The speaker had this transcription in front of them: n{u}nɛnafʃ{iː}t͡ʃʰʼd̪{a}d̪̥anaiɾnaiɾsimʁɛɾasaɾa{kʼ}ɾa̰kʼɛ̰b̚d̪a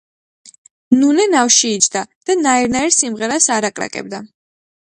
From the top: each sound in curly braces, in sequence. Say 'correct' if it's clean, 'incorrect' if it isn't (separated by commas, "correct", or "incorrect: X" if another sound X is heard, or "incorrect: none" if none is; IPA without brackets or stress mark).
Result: correct, correct, correct, correct